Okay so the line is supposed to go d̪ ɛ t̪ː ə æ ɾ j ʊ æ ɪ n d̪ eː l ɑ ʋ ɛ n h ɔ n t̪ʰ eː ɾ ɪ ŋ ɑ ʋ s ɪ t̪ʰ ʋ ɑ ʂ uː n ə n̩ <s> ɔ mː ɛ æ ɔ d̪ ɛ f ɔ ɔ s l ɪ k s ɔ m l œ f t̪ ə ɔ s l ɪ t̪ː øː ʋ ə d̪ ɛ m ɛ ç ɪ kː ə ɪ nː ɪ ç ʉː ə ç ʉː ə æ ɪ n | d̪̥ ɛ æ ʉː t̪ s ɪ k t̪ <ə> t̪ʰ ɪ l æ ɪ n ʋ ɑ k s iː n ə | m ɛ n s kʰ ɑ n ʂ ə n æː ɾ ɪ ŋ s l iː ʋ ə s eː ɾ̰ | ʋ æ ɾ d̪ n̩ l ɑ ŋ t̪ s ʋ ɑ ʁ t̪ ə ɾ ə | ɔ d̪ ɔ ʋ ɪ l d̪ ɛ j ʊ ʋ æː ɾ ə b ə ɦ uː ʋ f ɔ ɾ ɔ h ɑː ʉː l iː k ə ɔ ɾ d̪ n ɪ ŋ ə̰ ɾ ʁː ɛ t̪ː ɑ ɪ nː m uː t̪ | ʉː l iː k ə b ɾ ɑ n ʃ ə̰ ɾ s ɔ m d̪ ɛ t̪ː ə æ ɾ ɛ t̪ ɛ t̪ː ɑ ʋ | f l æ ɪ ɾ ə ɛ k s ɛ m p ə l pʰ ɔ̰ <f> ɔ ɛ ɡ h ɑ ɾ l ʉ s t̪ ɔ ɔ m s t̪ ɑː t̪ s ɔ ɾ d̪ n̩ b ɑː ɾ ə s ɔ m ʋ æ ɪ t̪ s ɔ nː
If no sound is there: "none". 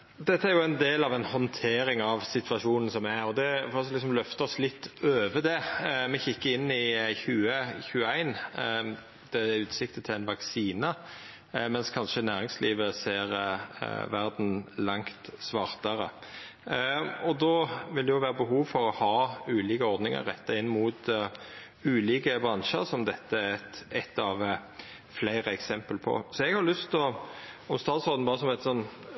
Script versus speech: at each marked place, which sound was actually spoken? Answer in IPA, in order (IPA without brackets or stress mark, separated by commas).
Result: s, ə, s